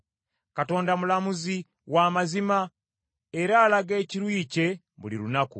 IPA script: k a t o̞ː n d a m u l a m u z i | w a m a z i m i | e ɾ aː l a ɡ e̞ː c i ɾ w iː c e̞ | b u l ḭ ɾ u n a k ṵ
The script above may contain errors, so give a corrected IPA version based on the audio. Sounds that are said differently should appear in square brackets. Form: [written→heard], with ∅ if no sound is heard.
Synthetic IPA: k a t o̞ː n d a m u l a m u z i | w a m a z i m [i→a] | e ɾ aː l a ɡ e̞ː c i ɾ w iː c e̞ | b u l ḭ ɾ u n a k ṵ